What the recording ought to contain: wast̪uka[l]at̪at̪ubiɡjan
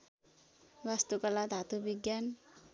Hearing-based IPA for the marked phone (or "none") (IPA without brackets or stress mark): l